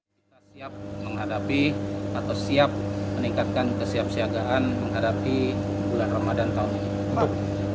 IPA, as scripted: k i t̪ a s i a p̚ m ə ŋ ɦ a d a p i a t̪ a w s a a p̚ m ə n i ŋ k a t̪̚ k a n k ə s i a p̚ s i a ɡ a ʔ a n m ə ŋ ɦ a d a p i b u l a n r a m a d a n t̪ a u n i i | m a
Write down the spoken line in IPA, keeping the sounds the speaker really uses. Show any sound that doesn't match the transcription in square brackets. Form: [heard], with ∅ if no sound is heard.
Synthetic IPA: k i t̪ a s i a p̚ m ə ŋ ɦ a d a p i a t̪ a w s [i] a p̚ m ə n i ŋ k a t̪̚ k a n k ə s i a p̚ s i a ɡ a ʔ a n m ə ŋ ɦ a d a p i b u l a n r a m a d a n t̪ a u n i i | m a